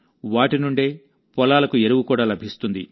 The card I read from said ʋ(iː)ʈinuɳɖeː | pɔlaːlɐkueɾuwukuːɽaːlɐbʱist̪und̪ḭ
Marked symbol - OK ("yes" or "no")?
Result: no